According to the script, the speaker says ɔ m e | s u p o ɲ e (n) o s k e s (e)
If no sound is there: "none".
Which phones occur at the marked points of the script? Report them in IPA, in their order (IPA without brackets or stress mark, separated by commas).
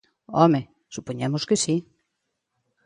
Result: m, i